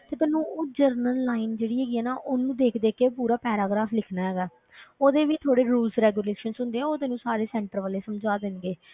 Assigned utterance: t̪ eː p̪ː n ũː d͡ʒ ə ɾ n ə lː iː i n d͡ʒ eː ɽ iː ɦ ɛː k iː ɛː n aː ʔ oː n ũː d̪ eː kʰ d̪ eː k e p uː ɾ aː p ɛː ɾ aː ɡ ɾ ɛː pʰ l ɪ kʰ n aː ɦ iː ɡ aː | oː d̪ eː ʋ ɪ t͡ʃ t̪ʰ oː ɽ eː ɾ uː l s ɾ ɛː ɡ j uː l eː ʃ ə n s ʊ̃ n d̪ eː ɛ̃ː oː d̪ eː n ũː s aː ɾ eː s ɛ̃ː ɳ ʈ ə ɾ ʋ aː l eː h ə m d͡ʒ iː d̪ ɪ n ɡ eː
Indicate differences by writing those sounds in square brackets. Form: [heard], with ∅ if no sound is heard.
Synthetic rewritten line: t̪ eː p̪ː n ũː d͡ʒ ə ɾ n ə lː [aː] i n d͡ʒ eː ɽ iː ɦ ɛː [ɡ] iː ɛː n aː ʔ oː n ũː d̪ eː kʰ d̪ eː k e p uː ɾ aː p ɛː ɾ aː ɡ ɾ [aː] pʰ l ɪ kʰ n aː ɦ [ɛː] ɡ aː | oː d̪ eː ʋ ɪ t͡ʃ t̪ʰ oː ɽ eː ɾ uː l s ɾ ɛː ɡ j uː l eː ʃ ə n s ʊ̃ n d̪ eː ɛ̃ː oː d̪ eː n ũː s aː ɾ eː s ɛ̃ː ɳ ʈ ə ɾ ʋ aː l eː [s] ə m d͡ʒ [aː] d̪ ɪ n ɡ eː